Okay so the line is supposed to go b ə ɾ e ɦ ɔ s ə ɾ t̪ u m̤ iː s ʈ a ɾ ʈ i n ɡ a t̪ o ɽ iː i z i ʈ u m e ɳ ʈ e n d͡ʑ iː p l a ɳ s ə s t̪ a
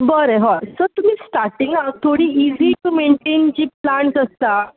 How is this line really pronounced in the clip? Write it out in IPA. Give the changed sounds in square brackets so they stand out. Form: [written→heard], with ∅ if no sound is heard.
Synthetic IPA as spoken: b ə ɾ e ɦ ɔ s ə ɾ t̪ u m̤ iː s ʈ a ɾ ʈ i [n→ŋ] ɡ a [t̪→t̪ʰ] o ɽ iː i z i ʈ u m e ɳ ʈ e n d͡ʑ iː p l a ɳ s ə s t̪ a

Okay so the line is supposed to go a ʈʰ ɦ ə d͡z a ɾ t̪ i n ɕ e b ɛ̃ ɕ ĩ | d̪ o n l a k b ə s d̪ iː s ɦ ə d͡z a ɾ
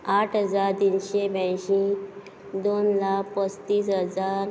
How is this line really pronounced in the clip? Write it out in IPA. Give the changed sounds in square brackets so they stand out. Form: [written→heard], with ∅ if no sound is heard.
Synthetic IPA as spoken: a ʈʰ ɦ ə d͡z a ɾ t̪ i n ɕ e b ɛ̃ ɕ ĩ | d̪ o n l a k [b→p] ə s [d̪→t̪] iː s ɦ ə d͡z a ɾ

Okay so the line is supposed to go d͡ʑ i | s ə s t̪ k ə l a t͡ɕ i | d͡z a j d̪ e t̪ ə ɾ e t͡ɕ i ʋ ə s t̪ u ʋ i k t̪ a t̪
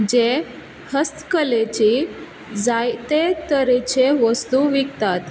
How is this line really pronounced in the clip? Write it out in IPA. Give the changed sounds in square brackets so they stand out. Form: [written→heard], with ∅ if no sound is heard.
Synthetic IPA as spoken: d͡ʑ [i→e] | [s→h] ə s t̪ k ə l [a→e] t͡ɕ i | d͡z a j [d̪→t̪] e t̪ ə ɾ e t͡ɕ [i→e] ʋ ə s t̪ u ʋ i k t̪ a t̪

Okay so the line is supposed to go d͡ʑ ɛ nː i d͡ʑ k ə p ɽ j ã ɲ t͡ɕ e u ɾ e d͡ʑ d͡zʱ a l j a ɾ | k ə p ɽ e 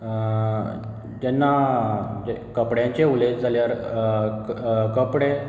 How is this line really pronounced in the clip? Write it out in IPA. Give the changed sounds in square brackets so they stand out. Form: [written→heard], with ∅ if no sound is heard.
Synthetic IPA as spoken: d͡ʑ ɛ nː [i→a] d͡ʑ k ə p ɽ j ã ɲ t͡ɕ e u [ɾ→l] e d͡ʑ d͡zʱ a l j a ɾ | k ə p ɽ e

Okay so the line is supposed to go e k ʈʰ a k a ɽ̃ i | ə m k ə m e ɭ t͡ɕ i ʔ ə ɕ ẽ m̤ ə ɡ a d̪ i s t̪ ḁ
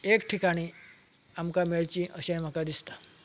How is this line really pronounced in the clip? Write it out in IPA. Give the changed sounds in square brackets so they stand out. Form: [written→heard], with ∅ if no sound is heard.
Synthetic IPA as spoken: e k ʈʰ [a→i] k a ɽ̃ i | [ə→a] m k [ə→a] m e ɭ t͡ɕ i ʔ ə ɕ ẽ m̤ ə [ɡ→k] a d̪ i s t̪ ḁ

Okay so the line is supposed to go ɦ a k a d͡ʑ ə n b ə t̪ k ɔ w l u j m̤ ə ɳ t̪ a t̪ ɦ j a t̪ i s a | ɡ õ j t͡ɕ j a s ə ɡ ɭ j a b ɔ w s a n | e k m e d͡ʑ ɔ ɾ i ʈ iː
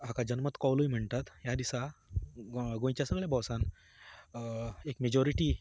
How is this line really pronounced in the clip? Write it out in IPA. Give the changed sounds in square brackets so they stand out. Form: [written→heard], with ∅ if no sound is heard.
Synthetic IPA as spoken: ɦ a k a d͡ʑ ə n [b→m] ə t̪ k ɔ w l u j m̤ ə ɳ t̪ a t̪ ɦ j a [t̪→d̪] i s a | ɡ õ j t͡ɕ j a s ə ɡ ɭ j a b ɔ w s a n | e k m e d͡ʑ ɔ ɾ i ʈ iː

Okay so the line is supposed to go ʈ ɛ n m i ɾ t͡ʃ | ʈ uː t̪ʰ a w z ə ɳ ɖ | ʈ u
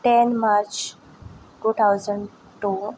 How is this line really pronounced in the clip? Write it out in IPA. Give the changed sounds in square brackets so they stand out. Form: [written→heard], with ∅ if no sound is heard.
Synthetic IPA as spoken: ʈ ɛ n m [i→a] ɾ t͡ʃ | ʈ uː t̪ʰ a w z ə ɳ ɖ | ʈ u

